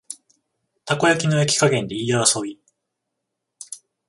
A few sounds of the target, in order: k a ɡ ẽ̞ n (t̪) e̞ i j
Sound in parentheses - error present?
yes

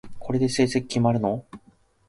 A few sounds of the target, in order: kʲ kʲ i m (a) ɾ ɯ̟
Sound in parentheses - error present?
no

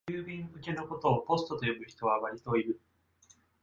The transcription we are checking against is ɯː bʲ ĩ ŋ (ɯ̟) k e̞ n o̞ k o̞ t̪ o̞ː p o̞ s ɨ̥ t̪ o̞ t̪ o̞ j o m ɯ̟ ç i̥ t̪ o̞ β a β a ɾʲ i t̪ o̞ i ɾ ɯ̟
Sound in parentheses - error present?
no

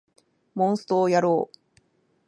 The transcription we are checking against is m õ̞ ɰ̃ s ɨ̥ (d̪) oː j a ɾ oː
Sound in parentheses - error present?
yes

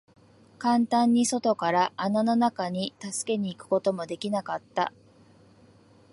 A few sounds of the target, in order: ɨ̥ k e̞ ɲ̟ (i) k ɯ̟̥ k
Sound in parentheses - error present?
yes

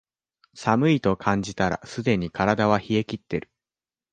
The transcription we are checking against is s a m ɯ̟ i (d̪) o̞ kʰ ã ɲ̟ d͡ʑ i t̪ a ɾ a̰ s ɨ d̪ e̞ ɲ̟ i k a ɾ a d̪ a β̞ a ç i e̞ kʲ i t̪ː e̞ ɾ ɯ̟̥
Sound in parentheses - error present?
yes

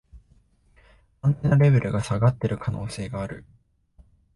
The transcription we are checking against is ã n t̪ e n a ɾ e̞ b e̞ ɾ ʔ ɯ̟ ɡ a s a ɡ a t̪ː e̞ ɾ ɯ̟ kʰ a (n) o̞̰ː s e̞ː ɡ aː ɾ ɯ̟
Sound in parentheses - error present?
no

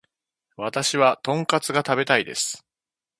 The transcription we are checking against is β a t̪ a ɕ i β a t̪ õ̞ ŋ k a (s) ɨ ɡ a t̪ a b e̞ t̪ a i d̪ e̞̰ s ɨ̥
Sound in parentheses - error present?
yes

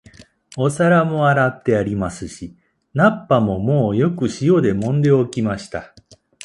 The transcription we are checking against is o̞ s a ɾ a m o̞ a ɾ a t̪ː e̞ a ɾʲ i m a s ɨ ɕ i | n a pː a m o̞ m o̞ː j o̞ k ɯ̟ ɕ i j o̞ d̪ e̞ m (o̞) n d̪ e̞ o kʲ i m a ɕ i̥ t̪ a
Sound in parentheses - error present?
yes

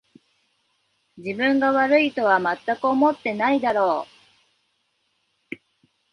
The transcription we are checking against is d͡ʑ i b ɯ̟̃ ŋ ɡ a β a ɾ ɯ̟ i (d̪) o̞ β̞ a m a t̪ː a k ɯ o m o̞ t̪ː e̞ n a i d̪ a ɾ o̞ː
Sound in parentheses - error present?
yes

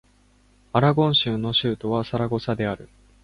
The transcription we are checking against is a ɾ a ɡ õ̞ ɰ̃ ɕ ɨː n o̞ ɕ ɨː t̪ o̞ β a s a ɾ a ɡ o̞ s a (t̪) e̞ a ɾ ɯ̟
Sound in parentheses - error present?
yes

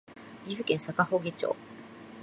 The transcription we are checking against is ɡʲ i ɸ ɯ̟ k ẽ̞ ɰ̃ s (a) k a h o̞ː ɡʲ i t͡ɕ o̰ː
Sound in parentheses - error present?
no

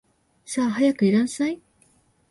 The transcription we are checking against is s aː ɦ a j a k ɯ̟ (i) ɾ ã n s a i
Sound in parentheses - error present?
no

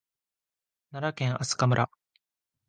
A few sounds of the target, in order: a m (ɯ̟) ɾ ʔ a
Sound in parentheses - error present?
no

